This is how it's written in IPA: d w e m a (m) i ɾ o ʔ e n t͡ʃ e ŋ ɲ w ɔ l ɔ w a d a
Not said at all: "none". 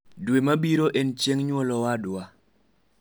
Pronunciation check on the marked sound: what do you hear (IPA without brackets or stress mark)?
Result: b